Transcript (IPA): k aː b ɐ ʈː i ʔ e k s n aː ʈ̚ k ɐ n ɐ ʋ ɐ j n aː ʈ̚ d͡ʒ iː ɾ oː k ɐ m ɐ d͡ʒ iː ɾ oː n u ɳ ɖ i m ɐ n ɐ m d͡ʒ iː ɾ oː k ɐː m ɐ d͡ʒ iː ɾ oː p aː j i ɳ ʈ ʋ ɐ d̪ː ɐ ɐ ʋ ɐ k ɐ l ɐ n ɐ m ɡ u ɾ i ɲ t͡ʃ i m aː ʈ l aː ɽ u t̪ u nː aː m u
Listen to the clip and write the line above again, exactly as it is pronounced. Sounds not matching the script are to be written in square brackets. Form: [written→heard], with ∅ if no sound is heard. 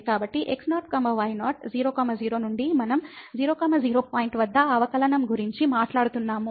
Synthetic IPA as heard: k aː b ɐ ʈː i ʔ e k s n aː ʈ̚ k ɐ [n→m] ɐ ʋ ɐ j n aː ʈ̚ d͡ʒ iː ɾ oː k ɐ m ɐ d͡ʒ iː ɾ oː n u ɳ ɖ i m ɐ n ɐ m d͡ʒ iː ɾ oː k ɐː m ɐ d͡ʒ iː ɾ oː p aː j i ɳ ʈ ʋ ɐ d̪ː ɐ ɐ ʋ ɐ k ɐ l ɐ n ɐ m ɡ u ɾ i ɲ t͡ʃ i m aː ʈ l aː ɽ u t̪ u nː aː m u